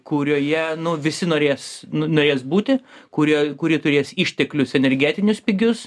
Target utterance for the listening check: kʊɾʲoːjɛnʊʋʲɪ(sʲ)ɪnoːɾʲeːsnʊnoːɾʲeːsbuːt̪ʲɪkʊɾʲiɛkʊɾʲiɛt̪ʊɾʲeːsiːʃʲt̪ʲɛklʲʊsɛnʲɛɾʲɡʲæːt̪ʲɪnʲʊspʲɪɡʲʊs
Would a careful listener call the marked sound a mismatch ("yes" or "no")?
no